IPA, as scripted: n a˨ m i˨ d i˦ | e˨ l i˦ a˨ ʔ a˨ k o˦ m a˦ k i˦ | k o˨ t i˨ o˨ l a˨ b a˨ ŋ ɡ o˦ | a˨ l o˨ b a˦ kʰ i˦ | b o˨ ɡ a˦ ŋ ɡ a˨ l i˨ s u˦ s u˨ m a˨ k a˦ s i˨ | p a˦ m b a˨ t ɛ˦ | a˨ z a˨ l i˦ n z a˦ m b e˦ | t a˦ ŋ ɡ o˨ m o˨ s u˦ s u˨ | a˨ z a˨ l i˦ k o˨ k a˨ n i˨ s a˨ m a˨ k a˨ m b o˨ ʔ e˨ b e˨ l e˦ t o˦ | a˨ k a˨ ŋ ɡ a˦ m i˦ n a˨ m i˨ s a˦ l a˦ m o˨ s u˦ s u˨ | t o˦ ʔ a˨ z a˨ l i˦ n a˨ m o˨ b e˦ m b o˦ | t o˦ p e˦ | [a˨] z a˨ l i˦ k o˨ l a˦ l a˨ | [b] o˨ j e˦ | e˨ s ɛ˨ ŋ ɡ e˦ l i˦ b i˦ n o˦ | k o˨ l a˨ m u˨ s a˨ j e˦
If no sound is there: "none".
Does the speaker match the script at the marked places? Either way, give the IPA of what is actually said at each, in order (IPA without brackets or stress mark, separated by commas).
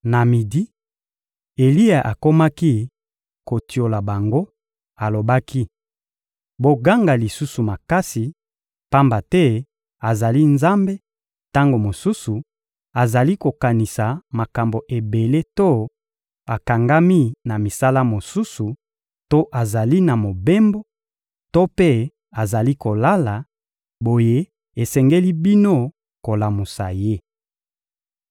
a˨, b